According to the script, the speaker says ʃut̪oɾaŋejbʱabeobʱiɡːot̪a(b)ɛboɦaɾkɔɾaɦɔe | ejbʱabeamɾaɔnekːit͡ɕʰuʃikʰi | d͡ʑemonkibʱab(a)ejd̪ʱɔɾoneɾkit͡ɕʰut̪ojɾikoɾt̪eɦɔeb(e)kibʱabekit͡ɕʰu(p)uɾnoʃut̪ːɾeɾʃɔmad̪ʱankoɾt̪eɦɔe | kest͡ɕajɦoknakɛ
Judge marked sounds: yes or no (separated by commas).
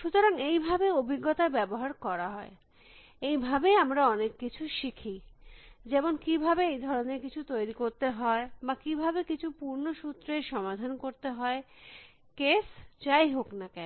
yes, no, no, yes